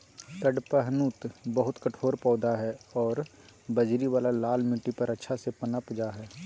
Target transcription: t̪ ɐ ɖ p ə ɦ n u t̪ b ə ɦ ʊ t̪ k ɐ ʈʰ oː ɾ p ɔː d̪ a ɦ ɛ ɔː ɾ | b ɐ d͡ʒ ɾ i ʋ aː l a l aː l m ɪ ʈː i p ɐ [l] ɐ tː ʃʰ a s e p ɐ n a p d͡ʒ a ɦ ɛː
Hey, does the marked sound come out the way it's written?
no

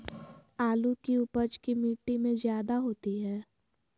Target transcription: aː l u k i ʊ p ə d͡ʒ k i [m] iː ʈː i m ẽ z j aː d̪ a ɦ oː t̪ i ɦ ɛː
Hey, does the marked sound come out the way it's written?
yes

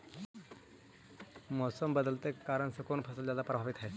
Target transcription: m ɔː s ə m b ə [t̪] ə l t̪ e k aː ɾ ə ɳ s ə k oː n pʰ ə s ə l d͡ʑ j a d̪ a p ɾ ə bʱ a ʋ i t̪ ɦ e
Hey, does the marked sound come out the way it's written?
no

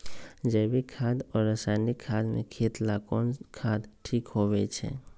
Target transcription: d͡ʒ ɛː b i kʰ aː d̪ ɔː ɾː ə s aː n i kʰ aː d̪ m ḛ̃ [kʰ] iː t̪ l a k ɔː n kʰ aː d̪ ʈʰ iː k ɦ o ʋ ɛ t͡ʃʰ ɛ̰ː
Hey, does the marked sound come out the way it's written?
yes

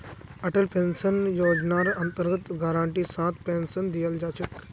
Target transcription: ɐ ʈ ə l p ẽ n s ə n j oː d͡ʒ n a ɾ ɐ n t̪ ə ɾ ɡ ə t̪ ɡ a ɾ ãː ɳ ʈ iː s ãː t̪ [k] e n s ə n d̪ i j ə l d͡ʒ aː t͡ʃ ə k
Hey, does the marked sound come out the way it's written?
no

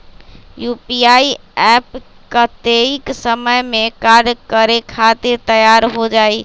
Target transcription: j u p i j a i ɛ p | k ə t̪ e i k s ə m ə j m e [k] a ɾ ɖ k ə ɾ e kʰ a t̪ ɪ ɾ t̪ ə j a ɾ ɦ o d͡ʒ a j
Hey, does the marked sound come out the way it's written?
yes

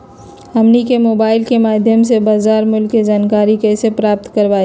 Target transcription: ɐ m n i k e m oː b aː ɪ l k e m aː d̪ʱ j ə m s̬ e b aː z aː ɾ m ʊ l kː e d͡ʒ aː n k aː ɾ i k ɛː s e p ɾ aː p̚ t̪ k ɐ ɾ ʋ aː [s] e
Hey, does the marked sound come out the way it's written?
no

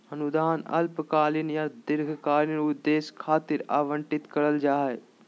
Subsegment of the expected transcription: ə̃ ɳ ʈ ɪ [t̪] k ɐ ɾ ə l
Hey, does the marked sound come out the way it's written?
yes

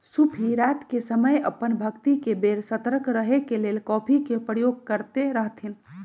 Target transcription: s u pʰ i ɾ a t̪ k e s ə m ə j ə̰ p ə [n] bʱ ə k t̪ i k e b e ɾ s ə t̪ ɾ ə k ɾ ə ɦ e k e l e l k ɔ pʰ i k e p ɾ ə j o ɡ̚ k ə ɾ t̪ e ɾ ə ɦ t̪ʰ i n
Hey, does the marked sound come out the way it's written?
yes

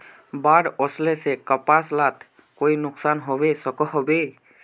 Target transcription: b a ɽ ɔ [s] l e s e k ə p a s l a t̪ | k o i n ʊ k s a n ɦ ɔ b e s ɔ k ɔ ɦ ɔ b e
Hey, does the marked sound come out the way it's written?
yes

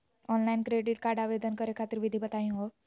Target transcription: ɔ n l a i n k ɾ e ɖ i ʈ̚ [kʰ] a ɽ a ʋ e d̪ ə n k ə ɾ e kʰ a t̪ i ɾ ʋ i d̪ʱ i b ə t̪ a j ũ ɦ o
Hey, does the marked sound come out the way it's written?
no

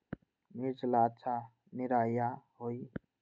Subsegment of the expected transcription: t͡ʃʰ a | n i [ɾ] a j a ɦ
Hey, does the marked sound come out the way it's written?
yes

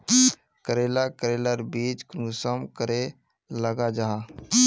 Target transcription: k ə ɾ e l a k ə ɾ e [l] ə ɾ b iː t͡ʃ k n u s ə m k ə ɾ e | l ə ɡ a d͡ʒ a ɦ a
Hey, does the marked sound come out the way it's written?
yes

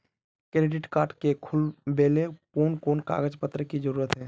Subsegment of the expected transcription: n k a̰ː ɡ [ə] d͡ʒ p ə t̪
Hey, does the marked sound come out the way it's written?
yes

